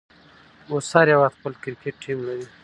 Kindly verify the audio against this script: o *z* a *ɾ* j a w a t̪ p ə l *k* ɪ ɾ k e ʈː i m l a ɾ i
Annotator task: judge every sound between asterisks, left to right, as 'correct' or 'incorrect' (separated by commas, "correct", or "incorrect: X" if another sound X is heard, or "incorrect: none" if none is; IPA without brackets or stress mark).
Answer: incorrect: s, correct, correct